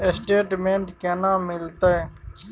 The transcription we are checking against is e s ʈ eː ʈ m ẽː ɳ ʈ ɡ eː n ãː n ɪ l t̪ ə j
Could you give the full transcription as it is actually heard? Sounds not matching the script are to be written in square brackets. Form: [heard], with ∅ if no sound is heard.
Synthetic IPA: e s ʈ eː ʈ m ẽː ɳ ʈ [k] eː n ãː [m] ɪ l t̪ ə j